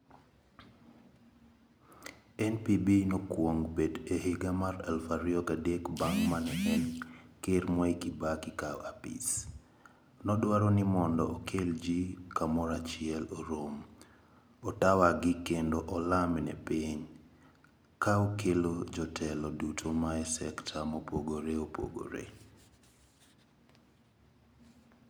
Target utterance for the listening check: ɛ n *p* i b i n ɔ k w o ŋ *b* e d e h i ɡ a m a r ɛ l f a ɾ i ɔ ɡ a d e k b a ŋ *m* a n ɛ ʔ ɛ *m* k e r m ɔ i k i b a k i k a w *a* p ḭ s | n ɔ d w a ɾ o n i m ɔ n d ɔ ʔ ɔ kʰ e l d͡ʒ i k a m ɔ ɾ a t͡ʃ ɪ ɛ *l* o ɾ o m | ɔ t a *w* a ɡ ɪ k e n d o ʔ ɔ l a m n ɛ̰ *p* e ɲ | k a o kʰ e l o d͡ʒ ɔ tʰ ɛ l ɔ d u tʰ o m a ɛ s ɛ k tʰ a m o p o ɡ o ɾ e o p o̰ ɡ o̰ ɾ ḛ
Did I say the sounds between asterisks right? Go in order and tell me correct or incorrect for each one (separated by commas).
correct, correct, correct, incorrect, correct, correct, correct, correct